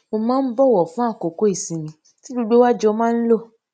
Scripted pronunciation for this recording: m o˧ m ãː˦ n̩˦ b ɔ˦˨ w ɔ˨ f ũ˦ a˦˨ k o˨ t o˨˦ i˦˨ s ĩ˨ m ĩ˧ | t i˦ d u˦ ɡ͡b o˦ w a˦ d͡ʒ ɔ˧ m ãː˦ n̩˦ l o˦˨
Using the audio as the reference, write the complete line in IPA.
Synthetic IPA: m o˧ m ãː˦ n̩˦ b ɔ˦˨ w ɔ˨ f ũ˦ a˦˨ k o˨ k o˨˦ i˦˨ s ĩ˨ m ĩ˧ | t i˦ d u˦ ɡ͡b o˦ w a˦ d͡ʒ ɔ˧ m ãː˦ n̩˦ l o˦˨